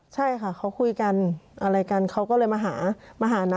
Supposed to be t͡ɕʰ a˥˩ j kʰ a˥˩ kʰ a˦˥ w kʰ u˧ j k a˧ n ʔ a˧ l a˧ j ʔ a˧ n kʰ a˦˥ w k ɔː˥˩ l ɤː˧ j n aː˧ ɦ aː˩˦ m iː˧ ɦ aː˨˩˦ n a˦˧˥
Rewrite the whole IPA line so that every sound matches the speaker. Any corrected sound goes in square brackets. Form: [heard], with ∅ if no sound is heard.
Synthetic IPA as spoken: t͡ɕʰ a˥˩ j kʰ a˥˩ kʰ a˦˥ w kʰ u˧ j k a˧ n ʔ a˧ [ɾ] a˧ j [k] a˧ n kʰ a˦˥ w k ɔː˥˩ l ɤː˧ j [m] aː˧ ɦ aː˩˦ m [aː˧] ɦ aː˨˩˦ n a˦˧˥

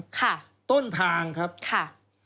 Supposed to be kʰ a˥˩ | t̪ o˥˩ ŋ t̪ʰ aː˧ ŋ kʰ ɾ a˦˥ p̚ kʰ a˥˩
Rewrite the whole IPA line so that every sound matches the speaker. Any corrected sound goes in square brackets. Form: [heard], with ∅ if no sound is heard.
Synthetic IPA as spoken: kʰ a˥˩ | t̪ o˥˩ [n] t̪ʰ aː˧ ŋ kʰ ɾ a˦˥ p̚ kʰ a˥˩

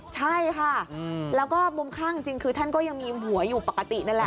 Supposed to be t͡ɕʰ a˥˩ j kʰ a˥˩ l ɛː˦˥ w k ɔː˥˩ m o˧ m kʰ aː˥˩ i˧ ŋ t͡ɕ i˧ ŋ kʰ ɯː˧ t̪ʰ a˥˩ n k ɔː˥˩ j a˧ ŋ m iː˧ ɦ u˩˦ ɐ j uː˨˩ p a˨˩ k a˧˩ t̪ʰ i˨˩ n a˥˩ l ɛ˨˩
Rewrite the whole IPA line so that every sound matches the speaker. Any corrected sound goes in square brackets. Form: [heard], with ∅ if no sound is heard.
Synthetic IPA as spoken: t͡ɕʰ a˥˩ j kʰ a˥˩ l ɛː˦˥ w k ɔː˥˩ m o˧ m kʰ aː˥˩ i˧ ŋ t͡ɕ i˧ ŋ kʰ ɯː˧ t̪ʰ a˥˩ n k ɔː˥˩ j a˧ ŋ m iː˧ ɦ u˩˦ ɐ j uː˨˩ p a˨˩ k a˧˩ [t̪] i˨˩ n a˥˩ l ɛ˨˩

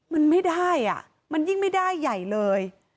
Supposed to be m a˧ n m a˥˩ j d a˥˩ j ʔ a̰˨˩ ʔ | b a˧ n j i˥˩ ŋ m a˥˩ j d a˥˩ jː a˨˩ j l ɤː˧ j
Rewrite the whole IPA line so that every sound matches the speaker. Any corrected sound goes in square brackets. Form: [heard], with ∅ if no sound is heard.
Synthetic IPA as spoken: m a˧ n m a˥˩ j d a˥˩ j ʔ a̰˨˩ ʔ | [m] a˧ n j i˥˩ ŋ m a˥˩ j d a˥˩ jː a˨˩ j l ɤː˧ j

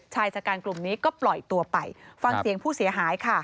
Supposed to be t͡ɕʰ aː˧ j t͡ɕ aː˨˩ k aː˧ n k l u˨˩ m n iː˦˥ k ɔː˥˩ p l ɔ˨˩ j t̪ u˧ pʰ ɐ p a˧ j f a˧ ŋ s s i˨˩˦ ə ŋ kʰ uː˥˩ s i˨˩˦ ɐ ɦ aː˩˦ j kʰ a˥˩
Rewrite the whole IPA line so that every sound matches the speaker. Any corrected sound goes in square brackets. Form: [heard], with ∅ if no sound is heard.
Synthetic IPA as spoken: t͡ɕʰ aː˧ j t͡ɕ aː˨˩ k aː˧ n k l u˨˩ m n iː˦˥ k ɔː˥˩ p l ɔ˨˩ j t̪ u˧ [∅] ɐ p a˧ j f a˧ ŋ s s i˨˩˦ ə ŋ [pʰ] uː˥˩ s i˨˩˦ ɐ ɦ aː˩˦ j kʰ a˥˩

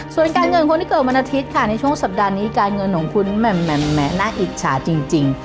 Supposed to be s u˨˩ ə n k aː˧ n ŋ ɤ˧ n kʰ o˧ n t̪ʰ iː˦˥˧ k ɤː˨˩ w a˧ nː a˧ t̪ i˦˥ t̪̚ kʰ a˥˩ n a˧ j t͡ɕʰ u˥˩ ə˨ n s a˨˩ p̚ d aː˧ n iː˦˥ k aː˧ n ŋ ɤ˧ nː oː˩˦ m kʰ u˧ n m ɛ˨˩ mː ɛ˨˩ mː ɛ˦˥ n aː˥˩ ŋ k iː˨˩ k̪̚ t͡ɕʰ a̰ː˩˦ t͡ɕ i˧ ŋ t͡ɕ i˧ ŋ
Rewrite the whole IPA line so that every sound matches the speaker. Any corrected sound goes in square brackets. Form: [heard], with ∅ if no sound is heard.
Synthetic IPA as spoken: s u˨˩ ə n k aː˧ n ŋ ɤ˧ n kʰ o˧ n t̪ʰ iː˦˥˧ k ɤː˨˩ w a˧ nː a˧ [t̪ʰ] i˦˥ t̪̚ kʰ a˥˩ n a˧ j t͡ɕʰ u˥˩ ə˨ [ŋ] s a˨˩ p̚ d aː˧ n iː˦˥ k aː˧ n ŋ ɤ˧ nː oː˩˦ [ŋ] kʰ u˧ n m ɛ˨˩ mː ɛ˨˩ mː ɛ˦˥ n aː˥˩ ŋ [ʔ] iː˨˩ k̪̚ t͡ɕʰ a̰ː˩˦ t͡ɕ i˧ ŋ t͡ɕ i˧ ŋ

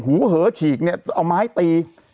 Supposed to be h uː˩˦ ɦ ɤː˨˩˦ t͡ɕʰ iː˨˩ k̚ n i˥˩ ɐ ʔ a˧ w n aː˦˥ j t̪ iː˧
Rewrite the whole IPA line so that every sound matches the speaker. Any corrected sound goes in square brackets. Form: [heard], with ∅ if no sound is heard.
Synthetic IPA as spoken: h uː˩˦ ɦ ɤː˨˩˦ t͡ɕʰ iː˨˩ k̚ n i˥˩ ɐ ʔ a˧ w [m] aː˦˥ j t̪ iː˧

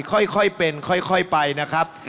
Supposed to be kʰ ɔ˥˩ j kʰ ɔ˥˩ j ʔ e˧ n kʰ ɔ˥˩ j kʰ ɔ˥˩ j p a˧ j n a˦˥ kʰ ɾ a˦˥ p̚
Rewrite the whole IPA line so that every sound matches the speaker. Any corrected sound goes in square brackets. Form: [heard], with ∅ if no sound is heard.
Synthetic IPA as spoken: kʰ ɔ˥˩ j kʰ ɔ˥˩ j [p] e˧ n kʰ ɔ˥˩ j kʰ ɔ˥˩ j p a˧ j n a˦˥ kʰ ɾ a˦˥ p̚

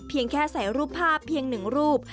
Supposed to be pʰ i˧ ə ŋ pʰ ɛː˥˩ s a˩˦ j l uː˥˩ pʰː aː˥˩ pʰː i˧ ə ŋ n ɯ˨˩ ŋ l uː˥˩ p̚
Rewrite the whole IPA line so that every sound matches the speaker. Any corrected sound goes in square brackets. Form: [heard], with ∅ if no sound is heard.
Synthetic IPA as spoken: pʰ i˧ ə ŋ [kʰ] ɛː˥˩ s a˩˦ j [ɾ] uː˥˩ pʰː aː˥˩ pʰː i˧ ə ŋ n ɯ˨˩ ŋ [ɾ] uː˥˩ p̚

